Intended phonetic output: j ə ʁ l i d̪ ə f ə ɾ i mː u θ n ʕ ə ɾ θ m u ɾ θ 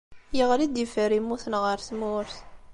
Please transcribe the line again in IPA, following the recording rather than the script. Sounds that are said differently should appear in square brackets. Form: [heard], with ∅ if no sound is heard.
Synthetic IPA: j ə ʁ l i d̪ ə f ə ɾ i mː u θ n [ʁ] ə ɾ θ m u ɾ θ